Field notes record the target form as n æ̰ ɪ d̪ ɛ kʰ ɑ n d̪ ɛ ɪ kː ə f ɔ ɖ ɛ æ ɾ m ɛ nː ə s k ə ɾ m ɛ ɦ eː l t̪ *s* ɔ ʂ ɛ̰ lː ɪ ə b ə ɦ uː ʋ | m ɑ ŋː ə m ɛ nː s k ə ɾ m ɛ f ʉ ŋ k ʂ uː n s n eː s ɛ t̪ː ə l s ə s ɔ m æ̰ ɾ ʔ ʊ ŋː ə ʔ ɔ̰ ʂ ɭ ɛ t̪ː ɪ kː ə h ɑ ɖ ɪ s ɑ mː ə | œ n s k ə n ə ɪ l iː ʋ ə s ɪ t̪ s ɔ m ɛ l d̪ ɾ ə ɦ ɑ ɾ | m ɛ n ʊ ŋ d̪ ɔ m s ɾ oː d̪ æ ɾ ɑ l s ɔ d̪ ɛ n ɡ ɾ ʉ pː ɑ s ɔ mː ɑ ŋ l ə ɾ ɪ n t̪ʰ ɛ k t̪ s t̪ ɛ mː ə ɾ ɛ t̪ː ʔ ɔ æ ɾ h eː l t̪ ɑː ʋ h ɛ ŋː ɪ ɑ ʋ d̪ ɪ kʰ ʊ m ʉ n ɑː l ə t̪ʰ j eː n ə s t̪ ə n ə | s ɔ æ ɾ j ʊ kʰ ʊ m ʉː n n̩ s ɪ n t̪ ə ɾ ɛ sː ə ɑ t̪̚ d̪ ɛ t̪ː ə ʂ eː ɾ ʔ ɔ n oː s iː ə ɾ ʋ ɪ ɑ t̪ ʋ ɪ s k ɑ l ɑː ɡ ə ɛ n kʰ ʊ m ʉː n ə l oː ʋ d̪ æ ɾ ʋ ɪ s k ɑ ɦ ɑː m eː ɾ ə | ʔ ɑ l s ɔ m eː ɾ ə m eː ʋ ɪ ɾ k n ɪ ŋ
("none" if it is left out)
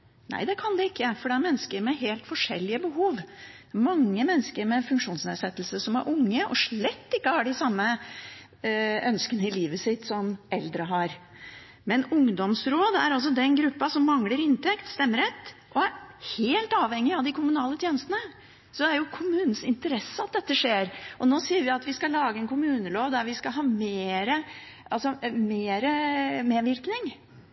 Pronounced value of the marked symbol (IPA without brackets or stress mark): f